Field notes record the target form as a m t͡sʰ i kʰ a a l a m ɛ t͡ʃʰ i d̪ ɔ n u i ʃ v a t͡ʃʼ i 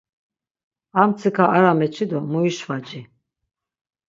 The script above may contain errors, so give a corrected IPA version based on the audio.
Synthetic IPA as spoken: a m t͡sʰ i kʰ a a ɾ a m ɛ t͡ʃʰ i d̪ ɔ m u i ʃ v a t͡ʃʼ i